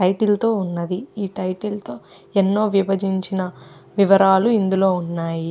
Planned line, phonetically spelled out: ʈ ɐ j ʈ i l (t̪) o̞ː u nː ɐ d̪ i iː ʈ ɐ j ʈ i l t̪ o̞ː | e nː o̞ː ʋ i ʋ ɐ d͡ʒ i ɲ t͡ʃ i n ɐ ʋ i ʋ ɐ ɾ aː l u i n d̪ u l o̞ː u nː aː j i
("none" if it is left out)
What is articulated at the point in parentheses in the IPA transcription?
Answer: t̪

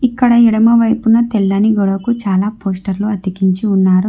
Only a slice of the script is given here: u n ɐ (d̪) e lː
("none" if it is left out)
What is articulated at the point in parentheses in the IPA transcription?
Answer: t̪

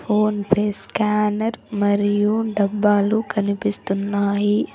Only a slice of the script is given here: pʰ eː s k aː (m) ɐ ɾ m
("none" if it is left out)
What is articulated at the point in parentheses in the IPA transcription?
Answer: n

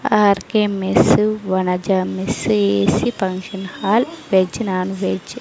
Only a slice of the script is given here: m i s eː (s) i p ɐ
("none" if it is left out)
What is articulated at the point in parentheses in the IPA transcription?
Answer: s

